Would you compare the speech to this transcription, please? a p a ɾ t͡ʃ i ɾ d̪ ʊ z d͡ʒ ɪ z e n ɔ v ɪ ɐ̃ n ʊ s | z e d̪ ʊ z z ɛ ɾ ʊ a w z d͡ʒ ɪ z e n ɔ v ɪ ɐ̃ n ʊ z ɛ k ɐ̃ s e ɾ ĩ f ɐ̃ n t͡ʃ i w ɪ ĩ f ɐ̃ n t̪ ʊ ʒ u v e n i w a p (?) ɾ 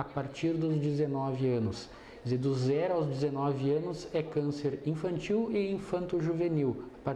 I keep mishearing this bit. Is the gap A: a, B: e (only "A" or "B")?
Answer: A